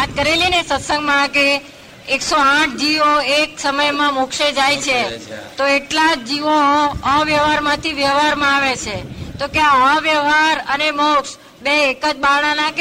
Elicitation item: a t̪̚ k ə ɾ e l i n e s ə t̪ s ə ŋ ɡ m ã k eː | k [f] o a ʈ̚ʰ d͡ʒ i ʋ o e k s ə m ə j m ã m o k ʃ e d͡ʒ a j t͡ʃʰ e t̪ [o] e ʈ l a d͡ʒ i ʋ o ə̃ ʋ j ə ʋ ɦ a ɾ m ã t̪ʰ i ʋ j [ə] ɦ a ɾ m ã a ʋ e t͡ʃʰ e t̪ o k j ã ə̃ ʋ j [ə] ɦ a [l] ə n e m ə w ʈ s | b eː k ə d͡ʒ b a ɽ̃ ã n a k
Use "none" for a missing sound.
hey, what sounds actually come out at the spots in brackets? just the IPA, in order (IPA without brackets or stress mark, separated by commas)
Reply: s, o, ə, ə, ɾ